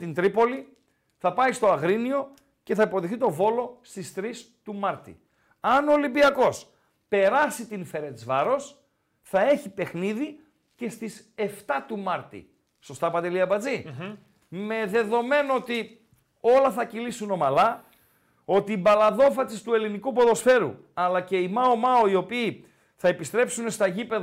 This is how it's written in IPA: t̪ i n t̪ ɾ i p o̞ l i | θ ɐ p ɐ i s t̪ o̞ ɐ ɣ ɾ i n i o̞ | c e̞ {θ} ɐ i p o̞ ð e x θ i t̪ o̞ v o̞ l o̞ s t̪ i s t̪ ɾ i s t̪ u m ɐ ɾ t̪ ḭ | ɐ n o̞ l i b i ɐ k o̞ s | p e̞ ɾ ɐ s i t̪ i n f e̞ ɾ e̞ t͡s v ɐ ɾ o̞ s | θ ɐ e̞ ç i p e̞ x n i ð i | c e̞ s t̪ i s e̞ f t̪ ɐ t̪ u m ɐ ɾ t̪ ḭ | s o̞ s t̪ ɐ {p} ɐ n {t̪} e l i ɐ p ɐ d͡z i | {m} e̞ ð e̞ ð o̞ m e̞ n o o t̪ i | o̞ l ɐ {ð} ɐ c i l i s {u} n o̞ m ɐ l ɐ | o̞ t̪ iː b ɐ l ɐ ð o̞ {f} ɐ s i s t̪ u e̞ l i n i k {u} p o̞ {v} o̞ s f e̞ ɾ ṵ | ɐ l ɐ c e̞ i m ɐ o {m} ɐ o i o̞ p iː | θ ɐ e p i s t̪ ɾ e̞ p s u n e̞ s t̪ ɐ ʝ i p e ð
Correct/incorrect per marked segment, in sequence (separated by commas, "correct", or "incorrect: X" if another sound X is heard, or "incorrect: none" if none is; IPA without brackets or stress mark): correct, correct, incorrect: d̪, correct, incorrect: θ, correct, correct, correct, incorrect: ð, correct